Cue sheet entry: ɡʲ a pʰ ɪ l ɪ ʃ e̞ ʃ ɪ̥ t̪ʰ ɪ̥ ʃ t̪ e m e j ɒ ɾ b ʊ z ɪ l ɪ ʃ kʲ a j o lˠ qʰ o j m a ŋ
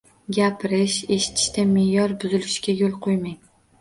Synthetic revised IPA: ɡʲ a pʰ ɪ ɾ ɪ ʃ e̞ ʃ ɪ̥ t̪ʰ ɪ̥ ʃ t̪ a m e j ɒ ɾ b ʊ z ɪ l ɪ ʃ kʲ a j o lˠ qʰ o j m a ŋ